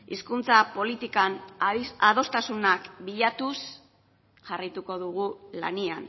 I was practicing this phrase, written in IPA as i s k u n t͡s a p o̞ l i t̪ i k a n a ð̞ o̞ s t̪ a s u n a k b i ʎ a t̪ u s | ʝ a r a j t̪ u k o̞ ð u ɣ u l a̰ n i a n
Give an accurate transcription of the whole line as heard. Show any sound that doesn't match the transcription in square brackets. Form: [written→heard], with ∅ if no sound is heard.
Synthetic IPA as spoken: i s k u n t͡s a p o̞ l i t̪ i k a n a ð̞ o̞ s t̪ a s u n a k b i ʎ a t̪ u s | ʝ a r a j t̪ u k o̞ ð u ɣ u l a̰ n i a n